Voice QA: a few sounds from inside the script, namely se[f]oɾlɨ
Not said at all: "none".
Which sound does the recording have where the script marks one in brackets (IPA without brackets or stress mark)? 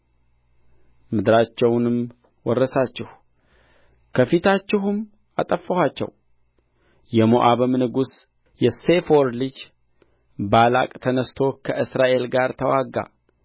f